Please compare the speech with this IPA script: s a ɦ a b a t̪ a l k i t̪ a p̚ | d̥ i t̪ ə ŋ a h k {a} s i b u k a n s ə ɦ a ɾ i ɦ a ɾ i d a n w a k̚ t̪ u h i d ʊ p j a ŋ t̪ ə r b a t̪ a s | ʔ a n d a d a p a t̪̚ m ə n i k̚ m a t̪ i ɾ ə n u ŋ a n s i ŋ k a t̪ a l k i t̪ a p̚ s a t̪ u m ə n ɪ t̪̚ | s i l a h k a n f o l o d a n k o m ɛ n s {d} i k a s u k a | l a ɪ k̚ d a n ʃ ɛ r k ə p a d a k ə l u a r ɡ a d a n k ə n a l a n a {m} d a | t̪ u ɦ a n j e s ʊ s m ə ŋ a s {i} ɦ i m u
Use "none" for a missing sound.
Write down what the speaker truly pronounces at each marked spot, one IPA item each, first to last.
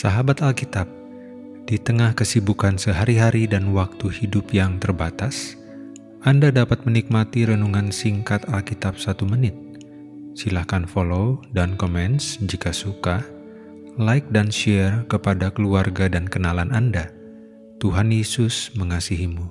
ə, d͡ʒ, n, i

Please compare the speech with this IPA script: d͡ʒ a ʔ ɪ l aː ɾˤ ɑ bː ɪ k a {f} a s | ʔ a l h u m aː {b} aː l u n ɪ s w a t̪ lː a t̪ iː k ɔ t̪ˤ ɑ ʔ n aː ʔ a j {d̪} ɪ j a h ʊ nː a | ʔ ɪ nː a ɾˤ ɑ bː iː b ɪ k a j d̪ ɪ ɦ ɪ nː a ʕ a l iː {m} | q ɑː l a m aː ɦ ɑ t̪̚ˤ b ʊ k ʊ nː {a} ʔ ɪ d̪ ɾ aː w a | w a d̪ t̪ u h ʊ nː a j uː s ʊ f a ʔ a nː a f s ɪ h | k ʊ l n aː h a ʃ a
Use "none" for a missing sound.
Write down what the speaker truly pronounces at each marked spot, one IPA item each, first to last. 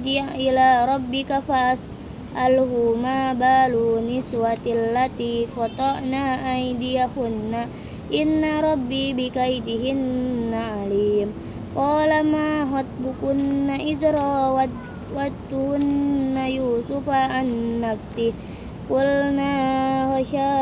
f, b, d̪, m, a

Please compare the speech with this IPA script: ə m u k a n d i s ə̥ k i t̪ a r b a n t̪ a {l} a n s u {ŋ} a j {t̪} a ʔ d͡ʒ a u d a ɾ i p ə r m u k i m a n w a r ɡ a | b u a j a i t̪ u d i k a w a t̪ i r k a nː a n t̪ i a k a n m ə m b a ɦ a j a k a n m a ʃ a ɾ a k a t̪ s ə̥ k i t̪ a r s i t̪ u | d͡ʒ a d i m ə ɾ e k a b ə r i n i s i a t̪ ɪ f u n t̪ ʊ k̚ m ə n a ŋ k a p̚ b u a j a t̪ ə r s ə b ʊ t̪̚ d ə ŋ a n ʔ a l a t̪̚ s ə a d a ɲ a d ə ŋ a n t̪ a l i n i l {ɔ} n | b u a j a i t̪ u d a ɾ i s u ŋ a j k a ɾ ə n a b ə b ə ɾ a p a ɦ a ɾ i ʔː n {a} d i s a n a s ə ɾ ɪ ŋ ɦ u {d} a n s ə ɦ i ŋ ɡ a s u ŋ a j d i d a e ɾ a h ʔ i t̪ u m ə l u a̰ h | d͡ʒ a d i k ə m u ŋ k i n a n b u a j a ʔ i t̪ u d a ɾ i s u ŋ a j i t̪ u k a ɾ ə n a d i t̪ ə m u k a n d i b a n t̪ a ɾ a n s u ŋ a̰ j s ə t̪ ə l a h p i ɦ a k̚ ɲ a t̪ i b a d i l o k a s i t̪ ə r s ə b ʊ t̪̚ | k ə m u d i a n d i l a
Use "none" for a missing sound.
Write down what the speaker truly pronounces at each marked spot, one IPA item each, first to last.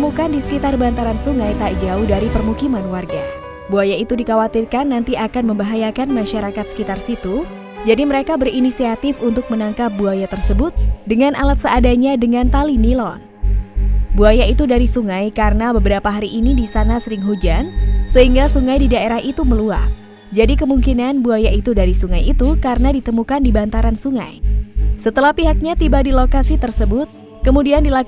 ɾ, ŋ, t̪, ɔ, i, d͡ʒ

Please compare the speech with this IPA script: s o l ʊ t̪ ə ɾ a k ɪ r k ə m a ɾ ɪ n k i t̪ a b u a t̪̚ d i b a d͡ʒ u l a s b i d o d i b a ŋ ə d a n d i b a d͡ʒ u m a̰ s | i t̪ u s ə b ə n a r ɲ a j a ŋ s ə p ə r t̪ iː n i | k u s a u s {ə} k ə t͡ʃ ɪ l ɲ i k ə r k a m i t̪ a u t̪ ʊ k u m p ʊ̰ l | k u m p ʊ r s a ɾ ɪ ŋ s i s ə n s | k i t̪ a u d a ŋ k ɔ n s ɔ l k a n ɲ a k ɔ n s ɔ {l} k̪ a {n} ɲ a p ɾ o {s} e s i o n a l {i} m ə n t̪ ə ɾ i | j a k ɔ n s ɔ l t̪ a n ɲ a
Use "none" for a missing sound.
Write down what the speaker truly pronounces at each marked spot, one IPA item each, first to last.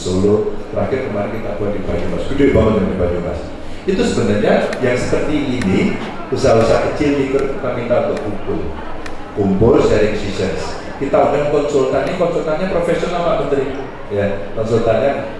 a, l, n, f, a

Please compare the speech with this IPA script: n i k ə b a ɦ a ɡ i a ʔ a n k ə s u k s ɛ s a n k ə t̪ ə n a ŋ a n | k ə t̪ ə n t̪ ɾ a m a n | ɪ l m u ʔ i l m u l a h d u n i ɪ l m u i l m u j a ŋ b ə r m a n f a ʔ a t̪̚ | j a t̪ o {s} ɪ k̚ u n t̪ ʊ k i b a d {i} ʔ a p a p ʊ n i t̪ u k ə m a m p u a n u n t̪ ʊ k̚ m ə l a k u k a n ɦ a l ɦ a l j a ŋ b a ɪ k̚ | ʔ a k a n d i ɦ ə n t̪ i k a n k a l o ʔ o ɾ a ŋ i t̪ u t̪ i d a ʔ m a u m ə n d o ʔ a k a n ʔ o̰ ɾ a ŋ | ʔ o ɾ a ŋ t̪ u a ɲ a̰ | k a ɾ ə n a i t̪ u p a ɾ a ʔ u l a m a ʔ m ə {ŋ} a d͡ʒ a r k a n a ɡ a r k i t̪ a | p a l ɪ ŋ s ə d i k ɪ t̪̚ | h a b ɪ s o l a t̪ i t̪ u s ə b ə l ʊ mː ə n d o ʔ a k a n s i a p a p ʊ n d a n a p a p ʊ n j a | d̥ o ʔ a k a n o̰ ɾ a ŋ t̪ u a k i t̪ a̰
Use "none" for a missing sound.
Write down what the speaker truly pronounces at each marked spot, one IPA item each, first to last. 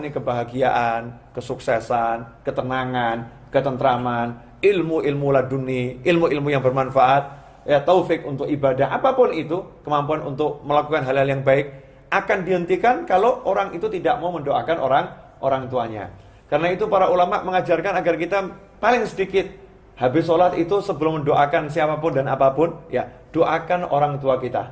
f, a, ŋ

